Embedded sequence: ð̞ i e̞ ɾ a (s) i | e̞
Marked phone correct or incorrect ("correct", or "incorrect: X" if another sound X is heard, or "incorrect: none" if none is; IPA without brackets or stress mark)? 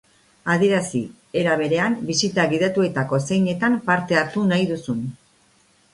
correct